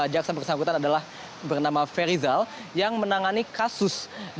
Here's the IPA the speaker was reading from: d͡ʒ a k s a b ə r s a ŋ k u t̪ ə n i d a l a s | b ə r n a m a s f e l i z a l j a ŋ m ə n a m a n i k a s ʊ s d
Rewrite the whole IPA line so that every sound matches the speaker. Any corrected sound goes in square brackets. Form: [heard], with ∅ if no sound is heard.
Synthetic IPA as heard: d͡ʒ a k s a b ə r s a ŋ k u t̪ [a] n [a] d a l a [h] | b ə r n a m a [∅] f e [ɾ] i z a l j a ŋ m ə n a [ŋ] a n i k a s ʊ s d